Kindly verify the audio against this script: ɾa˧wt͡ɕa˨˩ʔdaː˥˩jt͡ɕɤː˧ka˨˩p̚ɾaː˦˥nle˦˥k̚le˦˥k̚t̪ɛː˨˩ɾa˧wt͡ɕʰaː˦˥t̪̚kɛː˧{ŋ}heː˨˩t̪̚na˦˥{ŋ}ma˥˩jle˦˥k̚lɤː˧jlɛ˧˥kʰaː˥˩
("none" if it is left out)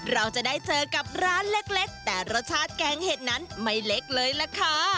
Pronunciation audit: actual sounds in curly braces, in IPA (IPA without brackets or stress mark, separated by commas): ŋ, n